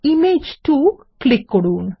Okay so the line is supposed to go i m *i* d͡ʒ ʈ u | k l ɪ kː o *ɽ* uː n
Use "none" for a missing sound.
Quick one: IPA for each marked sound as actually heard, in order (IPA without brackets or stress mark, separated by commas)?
e, ɽ